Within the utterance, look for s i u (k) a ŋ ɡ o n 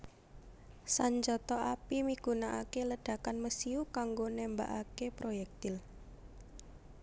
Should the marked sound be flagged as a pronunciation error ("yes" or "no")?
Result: no